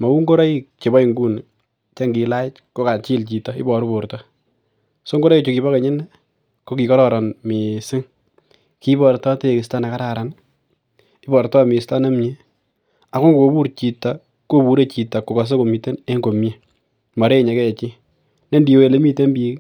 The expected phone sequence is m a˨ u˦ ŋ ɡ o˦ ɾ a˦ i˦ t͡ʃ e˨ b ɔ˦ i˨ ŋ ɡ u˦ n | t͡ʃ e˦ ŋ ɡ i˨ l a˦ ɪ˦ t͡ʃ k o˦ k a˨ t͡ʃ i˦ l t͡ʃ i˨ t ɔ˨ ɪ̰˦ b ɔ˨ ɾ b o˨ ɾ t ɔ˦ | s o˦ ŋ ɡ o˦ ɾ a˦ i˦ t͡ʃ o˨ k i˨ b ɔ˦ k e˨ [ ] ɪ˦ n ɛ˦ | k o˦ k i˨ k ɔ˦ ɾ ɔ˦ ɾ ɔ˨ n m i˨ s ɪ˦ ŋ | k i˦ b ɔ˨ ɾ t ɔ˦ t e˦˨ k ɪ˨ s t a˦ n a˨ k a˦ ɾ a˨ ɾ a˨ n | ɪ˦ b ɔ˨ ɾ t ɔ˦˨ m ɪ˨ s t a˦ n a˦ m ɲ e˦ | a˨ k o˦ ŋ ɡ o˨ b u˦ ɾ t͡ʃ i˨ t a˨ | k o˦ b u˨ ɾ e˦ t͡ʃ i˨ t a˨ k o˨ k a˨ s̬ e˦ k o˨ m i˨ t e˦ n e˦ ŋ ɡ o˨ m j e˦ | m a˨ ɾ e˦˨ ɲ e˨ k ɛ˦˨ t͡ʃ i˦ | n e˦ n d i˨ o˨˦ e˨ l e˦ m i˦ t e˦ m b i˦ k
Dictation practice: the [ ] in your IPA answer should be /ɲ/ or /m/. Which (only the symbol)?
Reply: ɲ